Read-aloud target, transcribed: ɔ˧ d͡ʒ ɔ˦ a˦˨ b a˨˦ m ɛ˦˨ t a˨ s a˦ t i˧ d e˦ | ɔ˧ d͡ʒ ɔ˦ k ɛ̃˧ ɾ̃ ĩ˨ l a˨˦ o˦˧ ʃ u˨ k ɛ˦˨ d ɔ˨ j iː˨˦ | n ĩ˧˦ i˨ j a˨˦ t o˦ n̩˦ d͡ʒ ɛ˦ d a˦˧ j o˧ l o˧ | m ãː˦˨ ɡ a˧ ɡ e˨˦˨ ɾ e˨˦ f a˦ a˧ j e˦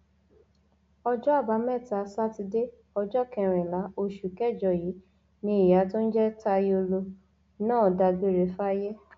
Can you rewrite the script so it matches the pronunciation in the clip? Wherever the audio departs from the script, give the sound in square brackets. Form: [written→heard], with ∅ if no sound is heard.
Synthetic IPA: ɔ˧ d͡ʒ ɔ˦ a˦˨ b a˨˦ m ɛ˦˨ t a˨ s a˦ t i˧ d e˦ | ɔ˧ d͡ʒ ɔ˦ k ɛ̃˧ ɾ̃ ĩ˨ l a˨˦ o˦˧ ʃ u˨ k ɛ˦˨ [d→d͡ʒ] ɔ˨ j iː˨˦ | n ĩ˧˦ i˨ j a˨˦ t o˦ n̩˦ d͡ʒ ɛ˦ [d→t] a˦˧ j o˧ l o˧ | [m→n] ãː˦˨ [ɡ→d] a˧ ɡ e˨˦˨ ɾ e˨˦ f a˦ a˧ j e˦